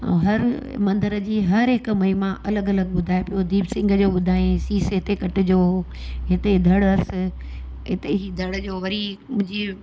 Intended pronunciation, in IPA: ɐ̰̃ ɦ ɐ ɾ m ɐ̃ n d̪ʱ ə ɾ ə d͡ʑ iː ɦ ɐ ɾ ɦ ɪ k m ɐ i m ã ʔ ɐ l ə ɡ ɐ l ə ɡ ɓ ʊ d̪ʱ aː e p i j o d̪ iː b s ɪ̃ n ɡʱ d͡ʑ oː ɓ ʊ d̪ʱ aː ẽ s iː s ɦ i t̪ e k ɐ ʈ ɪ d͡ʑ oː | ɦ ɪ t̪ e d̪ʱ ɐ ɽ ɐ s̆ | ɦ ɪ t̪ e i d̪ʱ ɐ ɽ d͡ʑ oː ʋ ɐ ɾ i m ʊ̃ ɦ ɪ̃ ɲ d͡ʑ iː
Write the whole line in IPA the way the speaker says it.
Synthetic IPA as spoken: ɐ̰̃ ɦ ɐ ɾ m ɐ̃ n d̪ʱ ə ɾ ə d͡ʑ iː ɦ ɐ ɾ ɦ ɪ k m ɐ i m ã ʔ ɐ l ə ɡ ɐ l ə ɡ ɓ ʊ d̪ʱ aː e p i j o d̪ iː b s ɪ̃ ŋ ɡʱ d͡ʑ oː ɓ ʊ d̪ʱ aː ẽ s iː s ɦ ɪ t̪ e k ɐ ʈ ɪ d͡ʑ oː | ɦ ɪ t̪ e d̪ʱ ɐ ɽ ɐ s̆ | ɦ ɪ t̪ e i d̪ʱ ɐ ɽ d͡ʑ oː ʋ ɐ ɾ i m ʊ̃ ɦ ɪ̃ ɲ d͡ʑ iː